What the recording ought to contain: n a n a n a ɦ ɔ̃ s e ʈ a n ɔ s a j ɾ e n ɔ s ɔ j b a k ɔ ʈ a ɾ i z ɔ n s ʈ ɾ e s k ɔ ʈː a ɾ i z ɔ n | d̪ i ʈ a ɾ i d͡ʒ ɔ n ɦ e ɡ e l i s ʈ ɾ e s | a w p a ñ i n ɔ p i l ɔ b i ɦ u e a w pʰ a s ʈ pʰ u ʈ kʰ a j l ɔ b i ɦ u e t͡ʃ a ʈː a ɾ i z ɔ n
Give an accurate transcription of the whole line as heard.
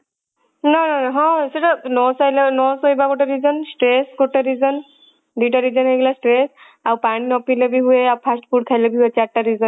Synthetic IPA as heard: n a n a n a ɦ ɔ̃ s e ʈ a n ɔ s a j l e n ɔ s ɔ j b a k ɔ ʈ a ɾ i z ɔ n s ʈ ɾ e s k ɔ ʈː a ɾ i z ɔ n | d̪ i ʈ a ɾ i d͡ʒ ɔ n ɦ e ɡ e l a s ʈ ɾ e s | a w p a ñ i n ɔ p i l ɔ b i ɦ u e a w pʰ a s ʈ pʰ u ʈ kʰ a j l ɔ b i ɦ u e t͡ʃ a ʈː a ɾ i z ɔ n